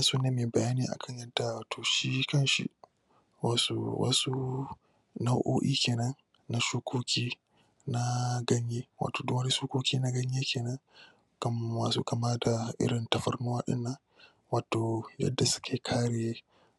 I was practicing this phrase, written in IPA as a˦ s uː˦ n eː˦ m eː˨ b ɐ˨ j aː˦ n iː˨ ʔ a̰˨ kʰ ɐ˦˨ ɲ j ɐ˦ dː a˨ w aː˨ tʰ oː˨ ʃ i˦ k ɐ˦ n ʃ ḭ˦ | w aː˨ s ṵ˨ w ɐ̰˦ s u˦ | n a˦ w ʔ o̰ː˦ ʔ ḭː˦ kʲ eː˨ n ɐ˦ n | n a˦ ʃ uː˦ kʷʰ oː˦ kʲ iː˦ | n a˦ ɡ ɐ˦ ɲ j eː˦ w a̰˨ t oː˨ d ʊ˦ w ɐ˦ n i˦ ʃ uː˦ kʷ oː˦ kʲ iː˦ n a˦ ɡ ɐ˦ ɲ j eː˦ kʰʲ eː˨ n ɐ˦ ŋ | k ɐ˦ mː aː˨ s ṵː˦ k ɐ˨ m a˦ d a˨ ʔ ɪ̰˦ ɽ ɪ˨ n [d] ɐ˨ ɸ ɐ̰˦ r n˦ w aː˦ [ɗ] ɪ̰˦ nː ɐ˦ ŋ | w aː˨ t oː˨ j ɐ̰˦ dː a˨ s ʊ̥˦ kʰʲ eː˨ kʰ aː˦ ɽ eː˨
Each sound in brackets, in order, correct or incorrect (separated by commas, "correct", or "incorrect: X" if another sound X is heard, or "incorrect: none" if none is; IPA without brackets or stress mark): incorrect: t, correct